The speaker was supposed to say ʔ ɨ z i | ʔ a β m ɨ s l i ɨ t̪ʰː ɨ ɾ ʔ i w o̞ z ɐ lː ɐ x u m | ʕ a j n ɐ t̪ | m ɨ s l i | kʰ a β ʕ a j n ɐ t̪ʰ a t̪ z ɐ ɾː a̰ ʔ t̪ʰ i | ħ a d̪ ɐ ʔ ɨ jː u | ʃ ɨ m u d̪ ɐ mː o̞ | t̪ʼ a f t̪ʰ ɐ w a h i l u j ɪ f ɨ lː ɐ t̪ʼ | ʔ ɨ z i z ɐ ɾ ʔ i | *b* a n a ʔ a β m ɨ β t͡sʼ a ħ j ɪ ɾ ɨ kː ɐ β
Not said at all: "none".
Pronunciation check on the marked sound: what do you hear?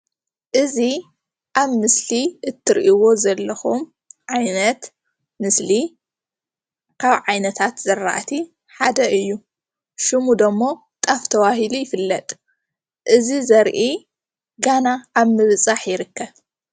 ɡ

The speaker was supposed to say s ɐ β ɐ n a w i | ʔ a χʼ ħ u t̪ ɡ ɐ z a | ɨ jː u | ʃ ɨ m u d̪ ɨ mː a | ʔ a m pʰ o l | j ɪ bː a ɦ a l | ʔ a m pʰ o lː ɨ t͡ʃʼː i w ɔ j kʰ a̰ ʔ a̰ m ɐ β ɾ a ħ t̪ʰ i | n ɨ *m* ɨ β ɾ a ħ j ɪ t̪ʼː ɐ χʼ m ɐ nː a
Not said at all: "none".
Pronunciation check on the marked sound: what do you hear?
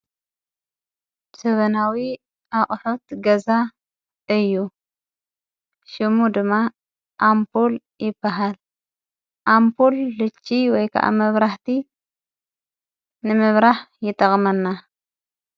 m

